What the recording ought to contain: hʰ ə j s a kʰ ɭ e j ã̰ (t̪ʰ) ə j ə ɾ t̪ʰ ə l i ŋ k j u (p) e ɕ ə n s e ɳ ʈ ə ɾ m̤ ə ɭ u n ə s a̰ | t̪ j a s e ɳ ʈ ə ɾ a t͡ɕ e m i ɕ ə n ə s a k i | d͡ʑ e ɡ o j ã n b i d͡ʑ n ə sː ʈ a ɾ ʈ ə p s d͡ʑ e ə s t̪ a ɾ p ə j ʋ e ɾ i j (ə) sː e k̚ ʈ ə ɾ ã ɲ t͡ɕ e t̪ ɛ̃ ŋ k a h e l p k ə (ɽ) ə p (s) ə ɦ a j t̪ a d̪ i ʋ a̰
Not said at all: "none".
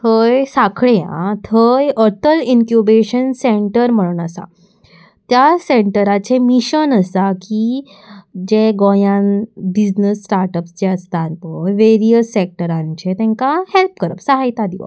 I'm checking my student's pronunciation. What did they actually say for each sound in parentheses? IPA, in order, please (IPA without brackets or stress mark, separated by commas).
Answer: t̪ʰ, b, ə, ɾ, s